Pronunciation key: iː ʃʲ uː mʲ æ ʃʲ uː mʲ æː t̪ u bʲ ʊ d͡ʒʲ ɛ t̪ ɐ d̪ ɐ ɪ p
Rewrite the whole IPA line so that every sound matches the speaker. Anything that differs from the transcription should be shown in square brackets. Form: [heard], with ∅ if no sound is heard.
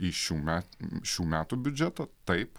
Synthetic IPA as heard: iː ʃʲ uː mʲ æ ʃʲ uː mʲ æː t̪ u bʲ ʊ d͡ʒʲ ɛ t̪ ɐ [t̪] ɐ ɪ p